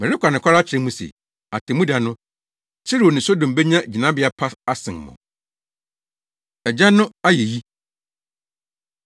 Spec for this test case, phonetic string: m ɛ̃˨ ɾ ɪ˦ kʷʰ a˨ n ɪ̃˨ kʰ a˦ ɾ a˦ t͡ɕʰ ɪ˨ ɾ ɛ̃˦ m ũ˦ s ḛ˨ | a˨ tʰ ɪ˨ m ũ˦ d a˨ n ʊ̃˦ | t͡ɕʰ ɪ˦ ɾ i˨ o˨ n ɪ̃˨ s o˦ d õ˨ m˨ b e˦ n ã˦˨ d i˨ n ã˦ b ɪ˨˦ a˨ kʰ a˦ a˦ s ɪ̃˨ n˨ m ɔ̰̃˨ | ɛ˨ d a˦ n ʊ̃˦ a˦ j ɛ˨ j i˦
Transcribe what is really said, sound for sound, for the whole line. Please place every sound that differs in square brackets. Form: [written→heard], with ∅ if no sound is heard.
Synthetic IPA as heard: m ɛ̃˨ ɾ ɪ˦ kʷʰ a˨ n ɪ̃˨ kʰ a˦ ɾ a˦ t͡ɕʰ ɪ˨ ɾ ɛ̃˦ m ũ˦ s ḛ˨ | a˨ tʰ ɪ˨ m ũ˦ d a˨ n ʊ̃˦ | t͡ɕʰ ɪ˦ ɾ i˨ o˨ n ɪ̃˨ s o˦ d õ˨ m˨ b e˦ [n→ɲ] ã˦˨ [d→d͡ʑ] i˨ n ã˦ b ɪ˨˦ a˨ [kʰ→pʰ] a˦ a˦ s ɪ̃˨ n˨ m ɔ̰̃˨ | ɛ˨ [d→d͡ʑ] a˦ n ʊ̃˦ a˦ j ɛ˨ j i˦

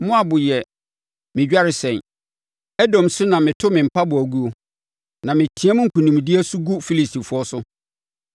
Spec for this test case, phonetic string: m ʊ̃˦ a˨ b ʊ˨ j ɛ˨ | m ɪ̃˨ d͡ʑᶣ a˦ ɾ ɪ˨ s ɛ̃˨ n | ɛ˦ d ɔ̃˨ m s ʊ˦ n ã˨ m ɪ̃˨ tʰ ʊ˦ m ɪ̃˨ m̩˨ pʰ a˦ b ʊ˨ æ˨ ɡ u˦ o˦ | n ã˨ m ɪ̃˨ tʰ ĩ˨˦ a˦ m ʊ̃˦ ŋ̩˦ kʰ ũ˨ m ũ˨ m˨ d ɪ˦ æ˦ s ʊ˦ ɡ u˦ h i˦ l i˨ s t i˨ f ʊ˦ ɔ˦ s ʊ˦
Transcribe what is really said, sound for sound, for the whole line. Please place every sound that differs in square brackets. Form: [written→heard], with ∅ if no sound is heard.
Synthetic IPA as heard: m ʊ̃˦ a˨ b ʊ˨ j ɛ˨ | m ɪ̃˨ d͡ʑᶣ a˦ ɾ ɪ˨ s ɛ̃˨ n | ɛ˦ d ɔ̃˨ m s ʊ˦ n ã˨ m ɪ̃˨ tʰ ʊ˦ m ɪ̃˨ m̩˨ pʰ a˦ b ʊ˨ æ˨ ɡ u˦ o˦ | n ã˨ m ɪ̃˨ tʰ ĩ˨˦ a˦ m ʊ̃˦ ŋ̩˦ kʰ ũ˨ [m→n] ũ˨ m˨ d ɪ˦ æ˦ s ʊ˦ ɡ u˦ [h→f] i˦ l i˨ s t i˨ f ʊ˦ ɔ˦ s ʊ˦

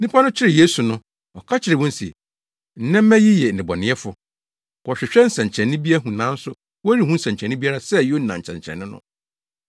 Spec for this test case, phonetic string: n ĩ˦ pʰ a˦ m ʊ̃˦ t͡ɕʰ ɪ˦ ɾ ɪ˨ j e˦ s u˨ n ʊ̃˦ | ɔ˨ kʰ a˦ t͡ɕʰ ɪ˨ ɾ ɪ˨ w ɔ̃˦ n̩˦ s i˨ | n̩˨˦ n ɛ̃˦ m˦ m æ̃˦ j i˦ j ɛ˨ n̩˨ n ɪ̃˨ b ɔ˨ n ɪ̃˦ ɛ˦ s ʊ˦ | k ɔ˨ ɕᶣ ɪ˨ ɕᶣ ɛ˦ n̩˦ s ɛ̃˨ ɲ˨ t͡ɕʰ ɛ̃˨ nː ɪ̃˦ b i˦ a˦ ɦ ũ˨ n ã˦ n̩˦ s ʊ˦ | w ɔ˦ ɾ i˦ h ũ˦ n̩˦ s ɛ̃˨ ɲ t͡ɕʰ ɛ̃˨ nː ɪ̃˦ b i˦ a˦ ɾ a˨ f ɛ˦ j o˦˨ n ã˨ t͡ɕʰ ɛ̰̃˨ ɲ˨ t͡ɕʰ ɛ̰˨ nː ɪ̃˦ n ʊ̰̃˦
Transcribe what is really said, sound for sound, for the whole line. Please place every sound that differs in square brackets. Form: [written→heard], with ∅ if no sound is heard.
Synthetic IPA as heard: n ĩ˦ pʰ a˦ [m→n] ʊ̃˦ t͡ɕʰ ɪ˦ ɾ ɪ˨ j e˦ s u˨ n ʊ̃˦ | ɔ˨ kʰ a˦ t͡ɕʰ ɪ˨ ɾ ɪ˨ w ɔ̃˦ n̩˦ s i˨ | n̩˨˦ n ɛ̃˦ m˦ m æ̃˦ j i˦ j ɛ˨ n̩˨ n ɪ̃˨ b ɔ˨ n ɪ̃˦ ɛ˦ [s→f] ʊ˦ | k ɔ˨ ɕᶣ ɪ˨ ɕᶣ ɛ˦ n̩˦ s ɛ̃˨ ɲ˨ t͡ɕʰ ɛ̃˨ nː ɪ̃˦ b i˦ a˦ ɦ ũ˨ n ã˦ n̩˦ s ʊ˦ | w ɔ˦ ɾ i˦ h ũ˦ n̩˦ s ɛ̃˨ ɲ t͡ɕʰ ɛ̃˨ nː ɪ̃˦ b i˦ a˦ ɾ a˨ [f→s] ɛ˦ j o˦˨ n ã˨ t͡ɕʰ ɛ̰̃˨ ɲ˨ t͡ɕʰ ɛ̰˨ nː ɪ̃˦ n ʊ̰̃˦

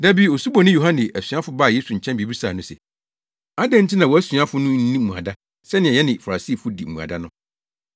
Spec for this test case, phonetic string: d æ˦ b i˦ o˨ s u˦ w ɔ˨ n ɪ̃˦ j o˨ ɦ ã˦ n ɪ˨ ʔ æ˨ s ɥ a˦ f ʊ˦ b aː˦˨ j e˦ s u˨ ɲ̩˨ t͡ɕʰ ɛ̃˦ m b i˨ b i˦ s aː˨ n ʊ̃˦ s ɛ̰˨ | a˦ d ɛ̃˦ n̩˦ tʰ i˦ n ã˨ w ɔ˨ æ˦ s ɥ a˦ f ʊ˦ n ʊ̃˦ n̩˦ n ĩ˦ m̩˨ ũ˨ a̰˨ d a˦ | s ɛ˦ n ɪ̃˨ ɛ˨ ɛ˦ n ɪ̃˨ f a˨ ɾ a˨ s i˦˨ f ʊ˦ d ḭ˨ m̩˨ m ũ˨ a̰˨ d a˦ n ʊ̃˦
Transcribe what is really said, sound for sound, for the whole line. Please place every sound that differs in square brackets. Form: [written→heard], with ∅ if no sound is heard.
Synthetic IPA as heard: d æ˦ b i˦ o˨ s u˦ [w→b] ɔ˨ n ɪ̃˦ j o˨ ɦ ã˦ n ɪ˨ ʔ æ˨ s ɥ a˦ f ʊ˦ b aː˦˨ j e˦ s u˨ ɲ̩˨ t͡ɕʰ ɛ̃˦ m b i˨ b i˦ s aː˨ n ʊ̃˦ s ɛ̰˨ | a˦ d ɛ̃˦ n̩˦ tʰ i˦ n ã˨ w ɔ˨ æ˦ s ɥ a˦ f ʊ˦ n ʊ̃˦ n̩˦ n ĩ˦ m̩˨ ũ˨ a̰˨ d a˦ | s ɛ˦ n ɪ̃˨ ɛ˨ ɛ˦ n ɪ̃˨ f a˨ ɾ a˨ s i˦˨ f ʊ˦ d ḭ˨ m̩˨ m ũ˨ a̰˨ d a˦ n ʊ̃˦

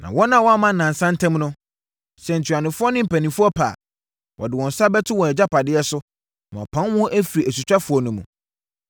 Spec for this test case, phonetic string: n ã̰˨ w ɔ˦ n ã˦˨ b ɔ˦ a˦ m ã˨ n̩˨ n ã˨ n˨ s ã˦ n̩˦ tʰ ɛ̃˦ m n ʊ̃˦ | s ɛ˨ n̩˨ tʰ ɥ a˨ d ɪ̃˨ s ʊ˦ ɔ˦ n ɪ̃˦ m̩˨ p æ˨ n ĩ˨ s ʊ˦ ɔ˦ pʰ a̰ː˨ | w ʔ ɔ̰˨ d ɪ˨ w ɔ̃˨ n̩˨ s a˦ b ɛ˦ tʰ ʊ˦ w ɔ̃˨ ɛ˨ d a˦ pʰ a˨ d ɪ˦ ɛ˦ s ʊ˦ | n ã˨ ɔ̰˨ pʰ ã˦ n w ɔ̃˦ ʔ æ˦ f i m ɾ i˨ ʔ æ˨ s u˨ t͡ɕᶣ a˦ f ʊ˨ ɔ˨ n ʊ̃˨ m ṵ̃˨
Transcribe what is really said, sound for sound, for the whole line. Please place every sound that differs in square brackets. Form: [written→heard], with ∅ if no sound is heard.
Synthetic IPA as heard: n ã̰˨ w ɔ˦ n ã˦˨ [b→w] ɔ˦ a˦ m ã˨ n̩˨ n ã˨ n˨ s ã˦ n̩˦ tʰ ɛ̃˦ m n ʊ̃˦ | s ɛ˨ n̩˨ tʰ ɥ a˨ [d→n] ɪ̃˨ [s→f] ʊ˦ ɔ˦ n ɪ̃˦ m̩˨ p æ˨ n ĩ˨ [s→f] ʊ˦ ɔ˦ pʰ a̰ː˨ | w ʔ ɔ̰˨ d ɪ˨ w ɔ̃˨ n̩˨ s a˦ b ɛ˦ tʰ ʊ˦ w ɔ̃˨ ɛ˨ [d→d͡ʑ] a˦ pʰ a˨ d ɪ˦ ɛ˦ s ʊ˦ | n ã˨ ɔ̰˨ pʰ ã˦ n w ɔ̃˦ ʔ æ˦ f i [m→∅] ɾ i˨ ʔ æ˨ s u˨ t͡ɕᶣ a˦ f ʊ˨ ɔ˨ n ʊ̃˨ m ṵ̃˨

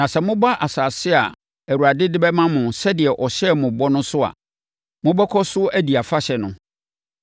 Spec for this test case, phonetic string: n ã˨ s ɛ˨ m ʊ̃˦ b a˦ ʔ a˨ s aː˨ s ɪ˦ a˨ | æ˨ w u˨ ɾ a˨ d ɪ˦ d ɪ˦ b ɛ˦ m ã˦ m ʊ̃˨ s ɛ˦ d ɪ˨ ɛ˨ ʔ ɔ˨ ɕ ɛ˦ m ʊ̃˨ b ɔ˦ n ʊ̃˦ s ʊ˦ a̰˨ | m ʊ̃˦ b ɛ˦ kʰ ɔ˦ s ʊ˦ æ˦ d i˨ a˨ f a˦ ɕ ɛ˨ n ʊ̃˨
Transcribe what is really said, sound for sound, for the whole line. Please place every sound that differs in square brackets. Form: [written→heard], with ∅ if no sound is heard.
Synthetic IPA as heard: n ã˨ s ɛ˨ m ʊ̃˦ b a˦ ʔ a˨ s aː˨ s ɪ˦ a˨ | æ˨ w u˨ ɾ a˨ d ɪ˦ d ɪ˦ b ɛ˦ m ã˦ m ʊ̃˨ s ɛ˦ d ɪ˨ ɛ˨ ʔ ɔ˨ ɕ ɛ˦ m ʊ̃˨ b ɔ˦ n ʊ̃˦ s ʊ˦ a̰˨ | m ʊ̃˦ b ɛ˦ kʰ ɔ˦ s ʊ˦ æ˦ d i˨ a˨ f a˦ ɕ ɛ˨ n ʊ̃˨

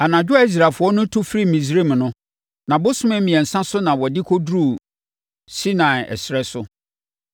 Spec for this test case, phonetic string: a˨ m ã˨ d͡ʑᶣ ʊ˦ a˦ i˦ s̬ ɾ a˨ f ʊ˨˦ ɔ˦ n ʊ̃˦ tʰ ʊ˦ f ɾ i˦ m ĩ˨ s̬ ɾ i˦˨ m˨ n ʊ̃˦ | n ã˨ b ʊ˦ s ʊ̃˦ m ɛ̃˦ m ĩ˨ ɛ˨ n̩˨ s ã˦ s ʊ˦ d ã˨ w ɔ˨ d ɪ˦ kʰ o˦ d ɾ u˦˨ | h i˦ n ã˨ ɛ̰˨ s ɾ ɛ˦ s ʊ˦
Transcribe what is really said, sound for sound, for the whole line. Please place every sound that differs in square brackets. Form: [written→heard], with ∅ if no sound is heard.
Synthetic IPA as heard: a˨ [m→n] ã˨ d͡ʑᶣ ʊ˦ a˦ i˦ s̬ ɾ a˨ f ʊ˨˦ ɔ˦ n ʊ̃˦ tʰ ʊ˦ f ɾ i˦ m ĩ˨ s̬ ɾ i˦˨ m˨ n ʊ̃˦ | n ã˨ b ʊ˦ s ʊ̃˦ m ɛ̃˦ m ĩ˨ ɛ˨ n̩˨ s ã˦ s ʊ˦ [d→n] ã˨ w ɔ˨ d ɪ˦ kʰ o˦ d ɾ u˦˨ | [h→s] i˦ n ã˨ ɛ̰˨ s ɾ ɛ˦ s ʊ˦

